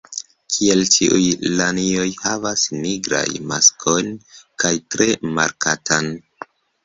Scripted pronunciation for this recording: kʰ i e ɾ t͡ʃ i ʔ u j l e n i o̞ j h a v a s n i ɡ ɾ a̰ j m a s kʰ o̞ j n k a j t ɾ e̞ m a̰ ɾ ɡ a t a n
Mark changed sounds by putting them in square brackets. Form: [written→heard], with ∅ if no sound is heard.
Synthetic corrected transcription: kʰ i e [ɾ→l] t͡ʃ i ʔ u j l [e→a] n i o̞ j h a v a s n i ɡ ɾ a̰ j m a s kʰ o̞ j n k a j t ɾ e̞ m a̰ ɾ [ɡ→k] a t a n

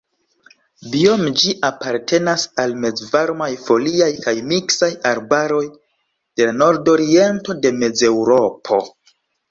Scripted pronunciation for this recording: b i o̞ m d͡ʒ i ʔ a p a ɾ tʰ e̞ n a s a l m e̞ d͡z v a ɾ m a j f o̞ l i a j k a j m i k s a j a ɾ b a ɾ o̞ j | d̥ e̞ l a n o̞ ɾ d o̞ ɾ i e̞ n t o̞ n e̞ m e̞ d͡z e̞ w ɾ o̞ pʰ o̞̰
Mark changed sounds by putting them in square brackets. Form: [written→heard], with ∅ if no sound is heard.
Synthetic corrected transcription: b i o̞ m d͡ʒ i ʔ a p a ɾ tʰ e̞ n a s a l m e̞ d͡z v a ɾ m a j f o̞ l i a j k a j m i k s a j a ɾ b a ɾ o̞ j | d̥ e̞ l a n o̞ ɾ d o̞ ɾ i e̞ n t o̞ [n→d] e̞ m e̞ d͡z e̞ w ɾ o̞ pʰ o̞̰

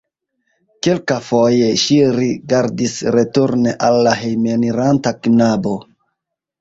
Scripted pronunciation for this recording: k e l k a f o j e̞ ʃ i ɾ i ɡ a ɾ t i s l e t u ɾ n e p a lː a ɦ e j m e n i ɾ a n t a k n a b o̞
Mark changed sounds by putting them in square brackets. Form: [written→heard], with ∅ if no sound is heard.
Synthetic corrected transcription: k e l k a f o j e̞ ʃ i ɾ i ɡ a ɾ [t→d] i s [l→ɾ] e t u ɾ n e [p→ʔ] a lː a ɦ e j m e n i ɾ a n t a k n a b o̞

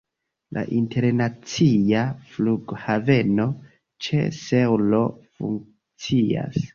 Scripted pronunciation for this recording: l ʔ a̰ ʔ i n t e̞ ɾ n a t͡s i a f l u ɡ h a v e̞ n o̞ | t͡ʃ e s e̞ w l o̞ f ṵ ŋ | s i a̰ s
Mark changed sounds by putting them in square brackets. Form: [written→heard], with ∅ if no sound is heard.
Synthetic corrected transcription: l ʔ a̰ ʔ i n t e̞ ɾ n a t͡s i a f l u ɡ h a v e̞ n o̞ | t͡ʃ e s e̞ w l o̞ f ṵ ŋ | [s→t͡s] i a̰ s

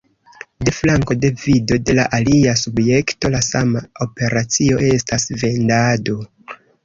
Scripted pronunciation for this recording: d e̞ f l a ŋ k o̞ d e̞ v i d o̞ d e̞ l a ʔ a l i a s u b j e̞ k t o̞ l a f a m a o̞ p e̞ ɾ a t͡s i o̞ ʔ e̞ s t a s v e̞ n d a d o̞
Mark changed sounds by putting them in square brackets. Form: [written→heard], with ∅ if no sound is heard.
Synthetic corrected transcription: d e̞ f l a ŋ k o̞ d e̞ v i d o̞ d e̞ l a ʔ a l i a s u b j e̞ k t o̞ l a [f→s] a m a o̞ p e̞ ɾ a t͡s i o̞ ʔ e̞ s t a s v e̞ n d a d o̞

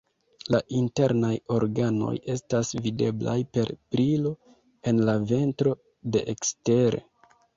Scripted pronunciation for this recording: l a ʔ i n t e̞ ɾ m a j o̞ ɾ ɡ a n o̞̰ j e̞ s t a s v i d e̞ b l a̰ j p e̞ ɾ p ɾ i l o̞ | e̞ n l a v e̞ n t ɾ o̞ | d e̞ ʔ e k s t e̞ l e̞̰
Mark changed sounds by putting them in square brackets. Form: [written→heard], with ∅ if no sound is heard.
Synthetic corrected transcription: l a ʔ i n t e̞ ɾ [m→n] a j o̞ ɾ ɡ a n o̞̰ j e̞ s t a s v i d e̞ b l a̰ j p e̞ ɾ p ɾ i l o̞ | e̞ n l a v e̞ n t ɾ o̞ | d e̞ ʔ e k s t e̞ [l→ɾ] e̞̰

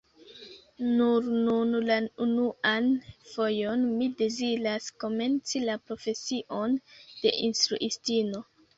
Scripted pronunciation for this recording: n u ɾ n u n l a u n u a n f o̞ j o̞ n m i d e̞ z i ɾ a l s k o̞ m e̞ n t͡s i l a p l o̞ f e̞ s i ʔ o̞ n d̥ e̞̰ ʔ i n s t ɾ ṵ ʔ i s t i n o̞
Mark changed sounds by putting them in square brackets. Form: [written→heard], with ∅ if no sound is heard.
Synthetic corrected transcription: n u ɾ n u n l a u n u a n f o̞ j o̞ n m i d e̞ z i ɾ a [l→∅] s k o̞ m e̞ n t͡s i l a p [l→ɾ] o̞ f e̞ s i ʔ o̞ n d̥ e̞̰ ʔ i n s t ɾ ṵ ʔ i s t i n o̞

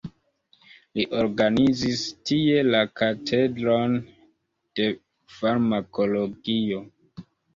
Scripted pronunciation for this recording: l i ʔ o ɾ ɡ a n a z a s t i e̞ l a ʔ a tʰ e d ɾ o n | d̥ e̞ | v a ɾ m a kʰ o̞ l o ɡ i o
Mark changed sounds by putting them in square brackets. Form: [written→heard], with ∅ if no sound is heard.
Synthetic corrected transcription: l i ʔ o ɾ ɡ a n [a→i] z [a→i] s t i e̞ l a [ʔ→k] a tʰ e d ɾ o n | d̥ e̞ | [v→f] a ɾ m a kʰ o̞ l o ɡ i o

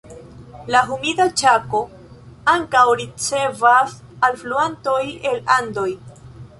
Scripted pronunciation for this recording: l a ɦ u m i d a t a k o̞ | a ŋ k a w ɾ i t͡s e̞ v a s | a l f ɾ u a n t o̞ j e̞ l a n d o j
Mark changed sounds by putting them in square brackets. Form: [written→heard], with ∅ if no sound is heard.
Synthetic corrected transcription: l a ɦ u m i d a [t→t͡ʃ] a k o̞ | a ŋ k a w ɾ i t͡s e̞ v a s | a l f [ɾ→l] u a n t o̞ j e̞ l a n d o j

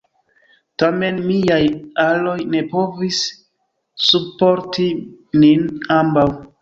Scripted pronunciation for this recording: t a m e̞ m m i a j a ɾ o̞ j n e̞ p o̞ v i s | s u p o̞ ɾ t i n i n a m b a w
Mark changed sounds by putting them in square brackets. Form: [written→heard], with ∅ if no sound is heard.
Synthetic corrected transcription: t a m e̞ [m→n] m i a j a [ɾ→l] o̞ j n e̞ p o̞ v i s | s u p o̞ ɾ t i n i n a m b a w

